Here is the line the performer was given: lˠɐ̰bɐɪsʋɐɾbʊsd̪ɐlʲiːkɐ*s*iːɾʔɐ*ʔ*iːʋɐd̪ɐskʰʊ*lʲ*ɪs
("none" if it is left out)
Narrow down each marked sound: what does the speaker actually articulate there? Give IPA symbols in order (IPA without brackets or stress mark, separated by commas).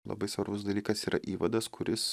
s, ʔ, ɾʲ